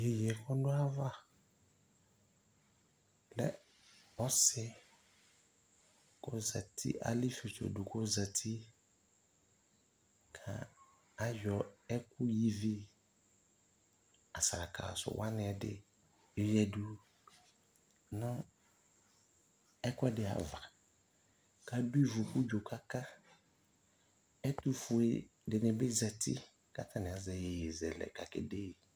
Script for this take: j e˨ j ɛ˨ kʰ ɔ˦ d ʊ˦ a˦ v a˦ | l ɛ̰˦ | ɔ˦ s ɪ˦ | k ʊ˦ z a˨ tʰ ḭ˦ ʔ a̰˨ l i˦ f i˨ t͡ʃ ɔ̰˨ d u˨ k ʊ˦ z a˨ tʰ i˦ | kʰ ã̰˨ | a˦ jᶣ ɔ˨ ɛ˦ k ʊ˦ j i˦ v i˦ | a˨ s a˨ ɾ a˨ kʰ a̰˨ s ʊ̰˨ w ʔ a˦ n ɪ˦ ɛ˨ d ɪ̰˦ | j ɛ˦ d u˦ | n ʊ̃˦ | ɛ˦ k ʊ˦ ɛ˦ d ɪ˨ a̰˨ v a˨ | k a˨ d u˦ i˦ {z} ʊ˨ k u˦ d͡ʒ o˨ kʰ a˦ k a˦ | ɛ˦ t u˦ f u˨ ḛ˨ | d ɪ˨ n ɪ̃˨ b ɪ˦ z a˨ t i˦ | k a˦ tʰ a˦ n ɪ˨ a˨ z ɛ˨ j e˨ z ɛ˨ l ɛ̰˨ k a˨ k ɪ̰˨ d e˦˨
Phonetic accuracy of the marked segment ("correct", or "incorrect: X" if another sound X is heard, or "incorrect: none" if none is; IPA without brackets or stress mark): incorrect: v